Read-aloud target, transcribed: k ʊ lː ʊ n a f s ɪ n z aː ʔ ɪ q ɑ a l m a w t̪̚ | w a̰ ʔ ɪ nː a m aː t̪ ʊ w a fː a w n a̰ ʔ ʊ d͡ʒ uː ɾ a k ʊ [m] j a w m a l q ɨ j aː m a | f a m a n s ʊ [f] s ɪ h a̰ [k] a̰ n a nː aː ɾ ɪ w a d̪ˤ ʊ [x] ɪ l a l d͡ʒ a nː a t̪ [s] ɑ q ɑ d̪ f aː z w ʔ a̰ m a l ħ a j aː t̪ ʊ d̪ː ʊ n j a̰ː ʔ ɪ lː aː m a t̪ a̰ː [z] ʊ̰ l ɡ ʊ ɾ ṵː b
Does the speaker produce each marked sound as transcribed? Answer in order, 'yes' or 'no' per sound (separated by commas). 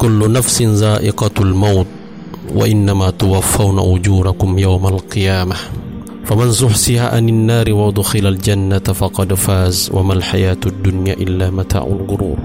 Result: yes, no, no, yes, no, no